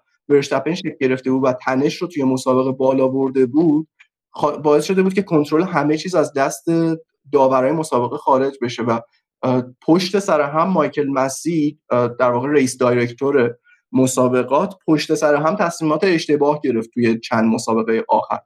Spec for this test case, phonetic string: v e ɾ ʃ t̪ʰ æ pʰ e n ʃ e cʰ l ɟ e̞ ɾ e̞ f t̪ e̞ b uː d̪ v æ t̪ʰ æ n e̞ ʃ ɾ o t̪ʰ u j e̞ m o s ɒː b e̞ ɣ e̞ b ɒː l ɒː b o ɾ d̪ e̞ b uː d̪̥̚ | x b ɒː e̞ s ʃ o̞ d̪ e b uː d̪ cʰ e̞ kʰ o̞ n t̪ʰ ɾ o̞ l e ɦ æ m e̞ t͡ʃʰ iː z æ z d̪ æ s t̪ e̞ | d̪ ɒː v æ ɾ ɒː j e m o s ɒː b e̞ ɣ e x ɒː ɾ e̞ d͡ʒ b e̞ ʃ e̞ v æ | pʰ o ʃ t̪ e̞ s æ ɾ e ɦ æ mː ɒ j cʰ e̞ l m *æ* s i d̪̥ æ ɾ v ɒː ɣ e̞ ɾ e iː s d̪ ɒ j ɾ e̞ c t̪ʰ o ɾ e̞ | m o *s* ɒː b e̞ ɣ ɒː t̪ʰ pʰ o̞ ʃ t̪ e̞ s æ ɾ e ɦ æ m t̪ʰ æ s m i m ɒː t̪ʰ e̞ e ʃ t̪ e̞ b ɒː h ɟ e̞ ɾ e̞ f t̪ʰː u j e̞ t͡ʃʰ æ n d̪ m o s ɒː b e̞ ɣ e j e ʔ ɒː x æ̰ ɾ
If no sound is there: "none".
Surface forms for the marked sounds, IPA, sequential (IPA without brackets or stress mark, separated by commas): æ, s